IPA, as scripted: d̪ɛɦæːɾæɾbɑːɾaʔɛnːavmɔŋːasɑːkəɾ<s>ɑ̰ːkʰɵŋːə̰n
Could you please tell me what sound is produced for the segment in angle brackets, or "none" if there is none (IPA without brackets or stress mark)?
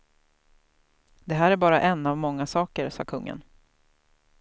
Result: s